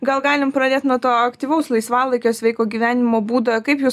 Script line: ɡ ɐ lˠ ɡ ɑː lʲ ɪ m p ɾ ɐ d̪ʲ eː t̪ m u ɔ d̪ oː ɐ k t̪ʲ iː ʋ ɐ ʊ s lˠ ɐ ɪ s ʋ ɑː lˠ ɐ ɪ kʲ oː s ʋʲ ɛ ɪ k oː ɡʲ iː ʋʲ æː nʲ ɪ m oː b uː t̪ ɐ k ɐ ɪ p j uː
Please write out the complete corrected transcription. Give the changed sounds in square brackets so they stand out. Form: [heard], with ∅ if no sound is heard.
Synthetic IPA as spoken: ɡ ɐ lˠ ɡ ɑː lʲ ɪ m p ɾ ɐ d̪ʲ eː t̪ [n] u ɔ [t̪] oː ɐ k t̪ʲ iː ʋ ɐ ʊ s lˠ ɐ ɪ s ʋ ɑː lˠ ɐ ɪ kʲ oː s ʋʲ ɛ ɪ k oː ɡʲ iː ʋʲ æː nʲ ɪ m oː b uː [d̪] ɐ k ɐ ɪ p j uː